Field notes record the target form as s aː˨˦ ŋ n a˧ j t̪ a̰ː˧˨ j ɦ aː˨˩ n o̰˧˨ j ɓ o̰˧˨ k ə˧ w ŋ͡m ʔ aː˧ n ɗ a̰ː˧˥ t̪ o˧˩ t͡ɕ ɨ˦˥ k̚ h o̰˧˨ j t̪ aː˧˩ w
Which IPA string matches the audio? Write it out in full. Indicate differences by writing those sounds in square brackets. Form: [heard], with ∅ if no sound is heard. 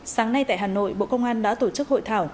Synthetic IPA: s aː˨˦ ŋ n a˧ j t̪ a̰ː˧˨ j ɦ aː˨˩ n o̰˧˨ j ɓ o̰˧˨ k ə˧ w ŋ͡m ʔ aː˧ n ɗ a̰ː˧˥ t̪ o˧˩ t͡ɕ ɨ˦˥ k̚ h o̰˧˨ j [t̪ʰ] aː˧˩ w